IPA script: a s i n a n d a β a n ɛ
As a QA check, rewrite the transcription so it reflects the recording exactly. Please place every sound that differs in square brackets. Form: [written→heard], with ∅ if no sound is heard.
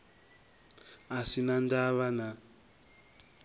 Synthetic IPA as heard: a s i n a n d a β a n [ɛ→a]

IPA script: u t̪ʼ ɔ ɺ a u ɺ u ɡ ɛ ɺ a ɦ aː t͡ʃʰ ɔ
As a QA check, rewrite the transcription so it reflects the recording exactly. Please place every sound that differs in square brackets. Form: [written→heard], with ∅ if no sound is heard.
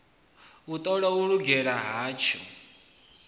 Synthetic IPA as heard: u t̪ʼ ɔ ɺ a u ɺ u ɡ ɛ ɺ a ɦ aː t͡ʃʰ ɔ

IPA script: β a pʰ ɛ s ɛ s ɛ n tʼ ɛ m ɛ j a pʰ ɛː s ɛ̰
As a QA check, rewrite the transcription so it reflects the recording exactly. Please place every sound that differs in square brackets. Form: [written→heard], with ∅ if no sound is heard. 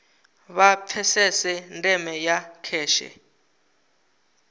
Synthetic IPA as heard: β a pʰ ɛ s ɛ s ɛ n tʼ ɛ m ɛ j a [pʰ→kʰ] ɛː [s→ʃ] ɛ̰

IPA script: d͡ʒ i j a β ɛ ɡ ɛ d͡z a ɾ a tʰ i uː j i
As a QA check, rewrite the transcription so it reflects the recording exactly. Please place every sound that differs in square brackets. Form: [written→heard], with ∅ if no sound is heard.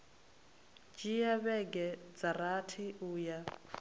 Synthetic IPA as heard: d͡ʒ i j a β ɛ ɡ ɛ d͡z a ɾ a tʰ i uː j [i→a]

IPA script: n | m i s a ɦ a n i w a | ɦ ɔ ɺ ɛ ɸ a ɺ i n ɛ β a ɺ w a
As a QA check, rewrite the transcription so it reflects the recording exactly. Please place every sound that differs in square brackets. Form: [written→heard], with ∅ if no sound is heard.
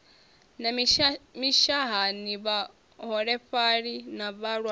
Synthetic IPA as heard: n | m i [s→ʃ] a ɦ a n i [w→β] a | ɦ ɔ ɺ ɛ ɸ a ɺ i n [ɛ→a] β a ɺ w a

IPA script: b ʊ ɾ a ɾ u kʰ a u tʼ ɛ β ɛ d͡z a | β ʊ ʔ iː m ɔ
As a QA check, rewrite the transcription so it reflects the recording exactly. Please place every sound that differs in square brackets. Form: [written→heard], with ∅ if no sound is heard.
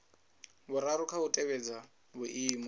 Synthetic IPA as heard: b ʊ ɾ a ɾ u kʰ a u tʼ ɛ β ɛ d͡z a | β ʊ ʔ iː m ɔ

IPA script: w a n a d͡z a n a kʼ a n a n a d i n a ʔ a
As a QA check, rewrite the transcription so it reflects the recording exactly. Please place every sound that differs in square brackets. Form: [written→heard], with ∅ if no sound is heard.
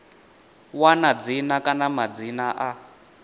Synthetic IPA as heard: w a n a d͡z [a→i] n a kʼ a n a [n→m] a [d→d͡z] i n a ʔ a

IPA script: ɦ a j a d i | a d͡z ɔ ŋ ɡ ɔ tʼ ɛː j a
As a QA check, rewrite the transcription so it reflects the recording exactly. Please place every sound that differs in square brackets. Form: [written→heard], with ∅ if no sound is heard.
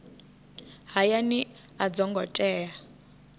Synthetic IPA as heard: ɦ a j a [d→n] i | a d͡z ɔ ŋ ɡ ɔ tʼ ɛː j a

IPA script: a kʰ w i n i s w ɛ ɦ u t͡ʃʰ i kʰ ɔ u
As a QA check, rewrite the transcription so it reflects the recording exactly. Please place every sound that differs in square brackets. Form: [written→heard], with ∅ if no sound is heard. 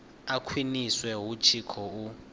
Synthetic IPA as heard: a kʰ w i n i s w ɛ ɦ u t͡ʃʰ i kʰ ɔ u

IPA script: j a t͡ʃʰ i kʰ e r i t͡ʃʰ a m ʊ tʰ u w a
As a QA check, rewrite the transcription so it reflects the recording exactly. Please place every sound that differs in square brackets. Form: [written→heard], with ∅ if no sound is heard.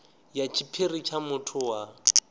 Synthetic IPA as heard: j a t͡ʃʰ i [kʰ→pʰ] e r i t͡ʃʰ a m ʊ tʰ [u→ʊ] w a

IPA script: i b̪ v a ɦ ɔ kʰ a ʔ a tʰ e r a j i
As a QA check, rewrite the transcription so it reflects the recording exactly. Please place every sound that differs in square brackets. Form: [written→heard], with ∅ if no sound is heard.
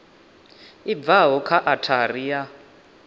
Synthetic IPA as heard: i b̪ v a ɦ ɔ kʰ a ʔ a tʰ [e→a] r [a→i] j [i→a]

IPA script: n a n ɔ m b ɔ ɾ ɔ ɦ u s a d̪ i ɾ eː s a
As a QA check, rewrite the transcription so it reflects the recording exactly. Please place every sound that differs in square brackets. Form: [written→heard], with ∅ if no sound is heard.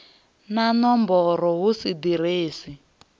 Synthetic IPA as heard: n a n ɔ m b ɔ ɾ ɔ ɦ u s [a→i] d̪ i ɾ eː s [a→i]

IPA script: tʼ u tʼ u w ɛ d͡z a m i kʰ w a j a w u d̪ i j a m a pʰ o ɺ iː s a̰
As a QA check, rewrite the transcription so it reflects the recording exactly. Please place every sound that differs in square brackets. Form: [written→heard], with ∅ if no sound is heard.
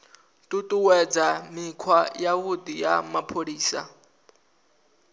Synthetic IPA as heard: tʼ u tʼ u w ɛ d͡z a m i kʰ w a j a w u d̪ i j a m a pʰ o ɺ iː s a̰

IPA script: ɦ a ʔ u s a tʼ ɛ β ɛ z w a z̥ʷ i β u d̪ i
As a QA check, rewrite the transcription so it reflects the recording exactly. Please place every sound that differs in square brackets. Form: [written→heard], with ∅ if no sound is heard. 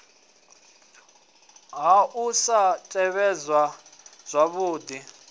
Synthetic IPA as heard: ɦ a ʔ u s a tʼ ɛ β ɛ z w a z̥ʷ [i→a] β [u→uː] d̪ i

